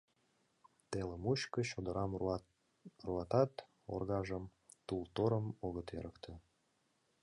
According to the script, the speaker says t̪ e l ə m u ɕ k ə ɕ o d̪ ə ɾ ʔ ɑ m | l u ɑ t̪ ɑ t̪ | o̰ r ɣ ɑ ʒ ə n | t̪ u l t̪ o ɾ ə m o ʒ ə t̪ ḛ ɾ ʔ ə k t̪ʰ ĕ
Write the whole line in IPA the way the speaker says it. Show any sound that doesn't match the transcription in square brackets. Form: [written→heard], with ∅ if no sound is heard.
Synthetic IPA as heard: t̪ e l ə m u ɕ k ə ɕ o d̪ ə ɾ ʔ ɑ m | [l→r] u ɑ t̪ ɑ t̪ | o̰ r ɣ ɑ ʒ ə [n→m] | t̪ u l t̪ o ɾ ə m o [ʒ→ɣ] ə t̪ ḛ ɾ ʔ ə k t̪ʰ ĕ